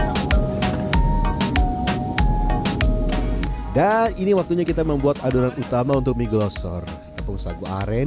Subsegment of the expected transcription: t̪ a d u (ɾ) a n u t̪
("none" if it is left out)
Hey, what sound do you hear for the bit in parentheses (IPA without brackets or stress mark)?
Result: ɾ